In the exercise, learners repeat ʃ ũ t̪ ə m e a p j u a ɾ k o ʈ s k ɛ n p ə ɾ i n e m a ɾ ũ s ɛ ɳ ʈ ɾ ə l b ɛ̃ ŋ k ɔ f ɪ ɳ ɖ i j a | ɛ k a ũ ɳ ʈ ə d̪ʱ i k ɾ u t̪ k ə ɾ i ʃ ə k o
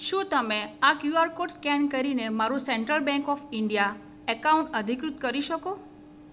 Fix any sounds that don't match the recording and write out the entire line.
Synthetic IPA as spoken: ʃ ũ t̪ ə m e a k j u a ɾ k o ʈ s k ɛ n k ə ɾ i n e m a ɾ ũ s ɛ ɳ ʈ ɾ ə l b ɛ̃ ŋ k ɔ f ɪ ɳ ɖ i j a | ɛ k a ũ ɳ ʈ ə d̪ʱ i k ɾ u t̪ k ə ɾ i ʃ ə k o